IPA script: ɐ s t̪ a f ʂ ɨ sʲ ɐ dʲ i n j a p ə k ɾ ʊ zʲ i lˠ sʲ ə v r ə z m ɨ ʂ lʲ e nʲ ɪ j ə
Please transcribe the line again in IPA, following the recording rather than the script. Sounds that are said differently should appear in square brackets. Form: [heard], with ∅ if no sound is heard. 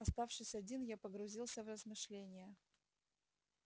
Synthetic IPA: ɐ s t̪ a f ʂ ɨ sʲ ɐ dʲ i n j a p ə [ɡ] ɾ ʊ zʲ i lˠ sʲ ə v r ə z m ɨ ʂ lʲ e nʲ ɪ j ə